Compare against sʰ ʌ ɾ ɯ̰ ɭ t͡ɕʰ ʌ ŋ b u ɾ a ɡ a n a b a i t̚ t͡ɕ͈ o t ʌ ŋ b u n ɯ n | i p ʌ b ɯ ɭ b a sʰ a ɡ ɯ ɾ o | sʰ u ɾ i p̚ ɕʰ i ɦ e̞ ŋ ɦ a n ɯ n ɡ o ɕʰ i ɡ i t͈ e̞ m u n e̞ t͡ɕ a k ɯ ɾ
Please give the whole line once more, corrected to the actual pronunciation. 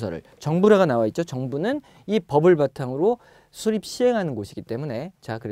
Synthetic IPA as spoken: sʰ ʌ ɾ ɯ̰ ɭ t͡ɕ ʌ ŋ b u ɾ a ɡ a n a w a i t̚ t͡ɕ͈ o t͡ɕ ʌ ŋ b u n ɯ n | i p ʌ b ɯ ɭ b a tʰ a ŋ ɯ ɾ o | sʰ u ɾ i p̚ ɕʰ i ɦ e̞ ŋ ɦ a n ɯ n ɡ o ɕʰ i ɡ i t͈ e̞ m u n e̞ t͡ɕ a k ɯ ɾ